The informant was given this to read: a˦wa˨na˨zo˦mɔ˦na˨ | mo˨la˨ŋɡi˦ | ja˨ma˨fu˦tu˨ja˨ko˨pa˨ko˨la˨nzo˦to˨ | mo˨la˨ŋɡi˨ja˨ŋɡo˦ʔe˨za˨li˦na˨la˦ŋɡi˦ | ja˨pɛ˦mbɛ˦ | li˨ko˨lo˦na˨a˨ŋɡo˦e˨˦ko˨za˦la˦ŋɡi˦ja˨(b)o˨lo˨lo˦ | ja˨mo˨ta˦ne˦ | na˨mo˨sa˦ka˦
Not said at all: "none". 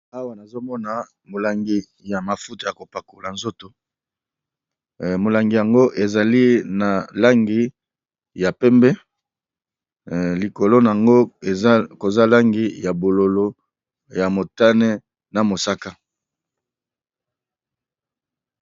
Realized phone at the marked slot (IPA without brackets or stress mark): b